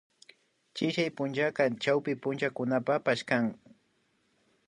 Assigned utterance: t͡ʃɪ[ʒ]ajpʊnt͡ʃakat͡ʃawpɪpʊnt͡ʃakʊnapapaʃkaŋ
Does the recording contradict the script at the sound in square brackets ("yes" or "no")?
yes